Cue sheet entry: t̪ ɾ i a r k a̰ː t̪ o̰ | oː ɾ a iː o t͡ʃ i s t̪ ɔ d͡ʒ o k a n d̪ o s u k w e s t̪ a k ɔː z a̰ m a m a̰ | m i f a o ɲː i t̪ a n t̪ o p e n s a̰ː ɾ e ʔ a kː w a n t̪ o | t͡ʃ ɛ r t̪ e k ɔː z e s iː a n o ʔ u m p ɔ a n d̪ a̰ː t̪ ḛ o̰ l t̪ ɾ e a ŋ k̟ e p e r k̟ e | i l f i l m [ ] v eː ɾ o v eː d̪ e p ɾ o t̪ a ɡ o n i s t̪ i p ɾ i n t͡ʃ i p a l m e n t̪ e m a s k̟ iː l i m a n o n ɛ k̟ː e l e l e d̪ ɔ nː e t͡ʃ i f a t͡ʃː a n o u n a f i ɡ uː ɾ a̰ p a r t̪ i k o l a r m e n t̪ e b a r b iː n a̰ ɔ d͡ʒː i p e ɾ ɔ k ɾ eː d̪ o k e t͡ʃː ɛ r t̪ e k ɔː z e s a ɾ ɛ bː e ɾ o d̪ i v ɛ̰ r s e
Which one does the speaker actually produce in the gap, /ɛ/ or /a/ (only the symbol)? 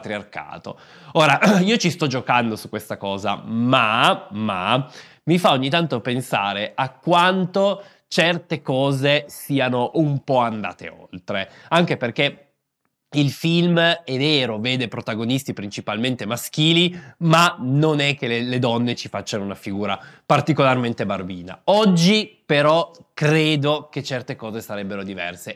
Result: ɛ